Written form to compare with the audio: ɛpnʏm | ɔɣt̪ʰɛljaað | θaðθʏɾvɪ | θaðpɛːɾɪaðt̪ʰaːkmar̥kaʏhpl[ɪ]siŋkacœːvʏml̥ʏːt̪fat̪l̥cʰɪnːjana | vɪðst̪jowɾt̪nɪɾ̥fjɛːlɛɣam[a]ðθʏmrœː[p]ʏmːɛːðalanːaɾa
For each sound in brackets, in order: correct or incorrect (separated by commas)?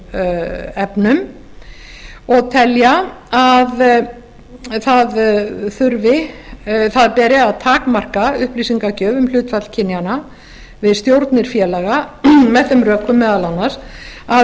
incorrect, incorrect, incorrect